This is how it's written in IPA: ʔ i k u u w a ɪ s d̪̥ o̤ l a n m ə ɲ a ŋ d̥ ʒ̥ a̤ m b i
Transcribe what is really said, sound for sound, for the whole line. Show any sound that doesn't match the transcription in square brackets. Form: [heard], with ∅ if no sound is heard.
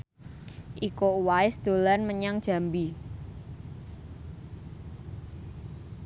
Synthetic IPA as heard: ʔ i k [o] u w a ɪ s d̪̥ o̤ l a n m ə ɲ a ŋ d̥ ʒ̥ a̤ m b i